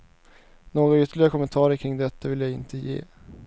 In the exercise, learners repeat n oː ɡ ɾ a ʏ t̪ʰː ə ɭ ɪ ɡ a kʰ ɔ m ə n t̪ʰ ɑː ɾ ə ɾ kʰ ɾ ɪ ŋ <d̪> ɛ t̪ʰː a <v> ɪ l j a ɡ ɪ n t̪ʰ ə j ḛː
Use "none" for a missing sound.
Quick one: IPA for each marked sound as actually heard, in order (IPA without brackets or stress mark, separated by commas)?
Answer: d̪, v